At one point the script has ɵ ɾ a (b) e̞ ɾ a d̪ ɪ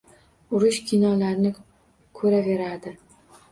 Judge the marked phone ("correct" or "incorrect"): incorrect